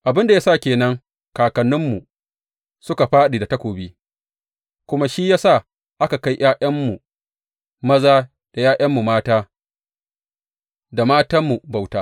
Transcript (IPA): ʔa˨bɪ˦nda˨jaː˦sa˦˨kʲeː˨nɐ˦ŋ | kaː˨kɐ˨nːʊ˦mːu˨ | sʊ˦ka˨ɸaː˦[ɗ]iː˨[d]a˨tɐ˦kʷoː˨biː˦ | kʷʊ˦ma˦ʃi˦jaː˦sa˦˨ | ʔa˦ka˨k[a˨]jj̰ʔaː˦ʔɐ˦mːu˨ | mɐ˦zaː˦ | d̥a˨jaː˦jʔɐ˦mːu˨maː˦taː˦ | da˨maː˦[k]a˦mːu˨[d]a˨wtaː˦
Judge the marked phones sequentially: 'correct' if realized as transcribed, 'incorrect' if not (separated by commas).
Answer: correct, correct, incorrect, incorrect, incorrect